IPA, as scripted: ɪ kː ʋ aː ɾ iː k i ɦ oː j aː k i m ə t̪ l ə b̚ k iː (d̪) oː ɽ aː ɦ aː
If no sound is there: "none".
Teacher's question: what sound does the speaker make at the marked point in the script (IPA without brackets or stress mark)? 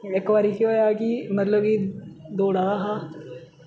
d̪